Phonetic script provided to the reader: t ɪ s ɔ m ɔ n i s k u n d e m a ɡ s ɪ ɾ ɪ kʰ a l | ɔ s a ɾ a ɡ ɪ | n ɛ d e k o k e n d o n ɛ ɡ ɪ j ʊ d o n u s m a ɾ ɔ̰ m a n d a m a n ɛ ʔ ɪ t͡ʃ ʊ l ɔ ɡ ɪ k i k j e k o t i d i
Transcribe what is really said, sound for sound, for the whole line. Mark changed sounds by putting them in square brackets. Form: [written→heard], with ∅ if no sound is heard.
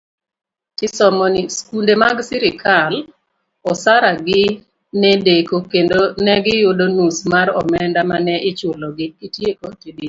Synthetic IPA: t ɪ s ɔ m ɔ n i s k u n d e m a ɡ s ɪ ɾ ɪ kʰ a l | ɔ s a ɾ a ɡ ɪ | n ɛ d e k o k e n d o n ɛ ɡ ɪ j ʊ d o n u s m a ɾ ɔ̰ m [a→ɛ] n d a m a n ɛ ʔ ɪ t͡ʃ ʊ l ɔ ɡ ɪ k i [k→t] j e k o t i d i